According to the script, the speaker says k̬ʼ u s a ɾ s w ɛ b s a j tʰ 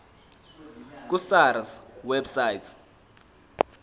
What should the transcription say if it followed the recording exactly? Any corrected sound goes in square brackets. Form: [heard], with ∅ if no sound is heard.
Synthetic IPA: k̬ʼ u s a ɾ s w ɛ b s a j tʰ

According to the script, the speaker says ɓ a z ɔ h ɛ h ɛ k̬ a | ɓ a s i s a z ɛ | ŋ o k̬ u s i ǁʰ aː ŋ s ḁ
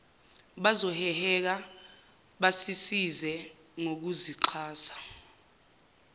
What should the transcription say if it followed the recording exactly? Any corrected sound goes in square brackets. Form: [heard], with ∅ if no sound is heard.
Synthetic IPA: ɓ a z ɔ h ɛ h ɛ k̬ a | ɓ a s i s [i] z ɛ | ŋ o k̬ u [z] i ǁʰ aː [∅] s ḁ

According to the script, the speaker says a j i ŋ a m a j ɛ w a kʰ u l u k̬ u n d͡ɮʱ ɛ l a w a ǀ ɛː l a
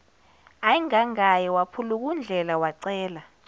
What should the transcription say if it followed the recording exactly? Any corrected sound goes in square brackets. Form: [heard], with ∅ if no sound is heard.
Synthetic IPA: a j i ŋ a [ŋ] a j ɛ w a [pʰ] u l u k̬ u n d͡ɮʱ ɛ l a w a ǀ ɛː l a

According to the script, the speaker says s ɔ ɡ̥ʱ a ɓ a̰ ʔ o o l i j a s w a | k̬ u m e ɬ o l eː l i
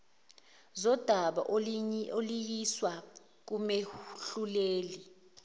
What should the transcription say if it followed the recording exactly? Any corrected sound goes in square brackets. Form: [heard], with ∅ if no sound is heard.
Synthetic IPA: [z] ɔ [d̥ʱ] a ɓ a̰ ʔ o o l i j [i] s w a | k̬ u m e ɬ [u] l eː l i

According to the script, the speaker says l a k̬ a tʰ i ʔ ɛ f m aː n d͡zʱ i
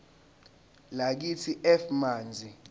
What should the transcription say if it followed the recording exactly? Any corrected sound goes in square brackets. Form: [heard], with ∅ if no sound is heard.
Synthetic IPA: l a k̬ [i] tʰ i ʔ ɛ f m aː n d͡zʱ i

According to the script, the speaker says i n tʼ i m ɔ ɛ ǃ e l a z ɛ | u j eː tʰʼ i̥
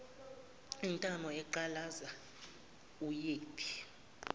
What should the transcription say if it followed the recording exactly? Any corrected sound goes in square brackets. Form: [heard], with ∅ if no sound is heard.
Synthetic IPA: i n tʼ [a] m ɔ ɛ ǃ [a] l a z [a] | u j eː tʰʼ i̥

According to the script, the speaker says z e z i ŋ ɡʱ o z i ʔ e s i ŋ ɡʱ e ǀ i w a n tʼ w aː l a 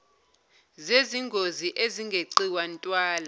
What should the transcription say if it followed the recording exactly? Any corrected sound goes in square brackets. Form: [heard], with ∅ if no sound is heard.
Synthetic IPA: z e z i ŋ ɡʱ o z i ʔ e [z] i ŋ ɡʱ e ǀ i w a n tʼ w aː l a

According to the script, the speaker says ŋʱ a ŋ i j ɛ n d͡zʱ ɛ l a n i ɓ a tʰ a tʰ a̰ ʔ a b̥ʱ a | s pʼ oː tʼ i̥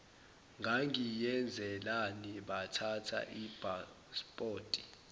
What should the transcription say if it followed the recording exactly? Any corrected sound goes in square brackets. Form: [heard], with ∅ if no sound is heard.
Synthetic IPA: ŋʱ a ŋ i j ɛ n d͡zʱ ɛ l a n i ɓ a tʰ a tʰ a̰ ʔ [i] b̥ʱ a | s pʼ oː tʼ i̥

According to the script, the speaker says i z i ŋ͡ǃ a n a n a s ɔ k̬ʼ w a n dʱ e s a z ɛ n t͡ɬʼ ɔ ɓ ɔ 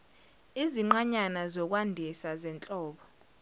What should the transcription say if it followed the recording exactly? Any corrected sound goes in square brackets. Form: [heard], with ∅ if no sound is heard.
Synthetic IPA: i z i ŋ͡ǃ a [ɲ] a n a [z] ɔ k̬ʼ w a n dʱ [i] s a z ɛ n t͡ɬʼ [ɔː] ɓ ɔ

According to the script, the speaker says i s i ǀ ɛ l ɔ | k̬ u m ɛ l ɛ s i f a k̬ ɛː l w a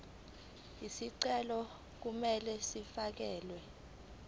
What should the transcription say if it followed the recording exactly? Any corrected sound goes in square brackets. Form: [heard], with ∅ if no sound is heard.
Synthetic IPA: i s i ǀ ɛ l ɔ | k̬ u m ɛ l ɛ s i f a k̬ ɛː l w [ɛ]

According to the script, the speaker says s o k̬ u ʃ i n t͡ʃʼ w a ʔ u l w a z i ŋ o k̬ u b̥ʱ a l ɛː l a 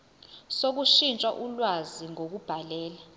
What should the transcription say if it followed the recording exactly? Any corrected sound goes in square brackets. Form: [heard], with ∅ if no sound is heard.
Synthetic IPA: s o k̬ u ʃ i n t͡ʃʼ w a ʔ u l w a z i ŋ o k̬ u b̥ʱ a l ɛː l a

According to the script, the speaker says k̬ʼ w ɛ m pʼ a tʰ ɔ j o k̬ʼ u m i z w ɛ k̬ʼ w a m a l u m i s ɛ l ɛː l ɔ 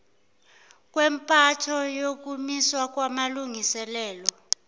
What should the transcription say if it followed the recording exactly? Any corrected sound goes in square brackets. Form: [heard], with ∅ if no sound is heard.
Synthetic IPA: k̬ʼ w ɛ m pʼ a tʰ ɔ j o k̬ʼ u m i [s] w [a] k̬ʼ w a m a l u [ŋ] i s ɛ l ɛː l ɔ

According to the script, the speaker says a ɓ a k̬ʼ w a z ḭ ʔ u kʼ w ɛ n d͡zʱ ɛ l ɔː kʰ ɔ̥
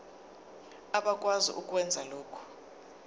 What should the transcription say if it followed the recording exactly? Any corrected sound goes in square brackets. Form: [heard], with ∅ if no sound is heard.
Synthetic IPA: a ɓ a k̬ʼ w a z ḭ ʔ u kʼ w ɛ n d͡zʱ [a] l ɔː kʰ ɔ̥

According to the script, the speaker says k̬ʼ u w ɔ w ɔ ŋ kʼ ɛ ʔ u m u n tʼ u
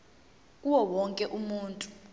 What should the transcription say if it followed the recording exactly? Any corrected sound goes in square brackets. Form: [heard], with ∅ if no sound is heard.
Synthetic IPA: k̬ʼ u w ɔ w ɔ ŋ kʼ ɛ ʔ u m [uː] n tʼ u

